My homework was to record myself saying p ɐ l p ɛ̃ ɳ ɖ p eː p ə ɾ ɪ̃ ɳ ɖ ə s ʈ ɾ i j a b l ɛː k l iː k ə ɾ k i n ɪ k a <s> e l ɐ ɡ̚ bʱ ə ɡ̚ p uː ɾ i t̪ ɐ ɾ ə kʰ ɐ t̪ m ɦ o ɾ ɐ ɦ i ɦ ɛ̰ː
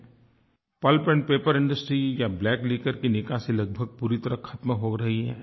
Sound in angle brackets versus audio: correct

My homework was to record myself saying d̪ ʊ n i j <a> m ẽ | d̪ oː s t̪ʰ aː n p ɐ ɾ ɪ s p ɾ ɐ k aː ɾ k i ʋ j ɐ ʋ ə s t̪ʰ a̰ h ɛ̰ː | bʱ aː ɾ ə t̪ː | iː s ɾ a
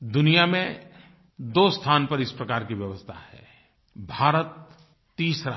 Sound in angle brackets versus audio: correct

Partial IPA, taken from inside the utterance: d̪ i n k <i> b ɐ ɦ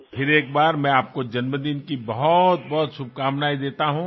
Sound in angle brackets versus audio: correct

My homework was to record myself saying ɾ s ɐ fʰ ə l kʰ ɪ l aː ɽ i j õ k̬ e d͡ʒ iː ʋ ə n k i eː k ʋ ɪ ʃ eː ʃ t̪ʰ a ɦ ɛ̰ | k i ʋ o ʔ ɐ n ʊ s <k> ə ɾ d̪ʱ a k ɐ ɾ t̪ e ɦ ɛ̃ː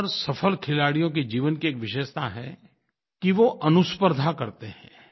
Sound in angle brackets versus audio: incorrect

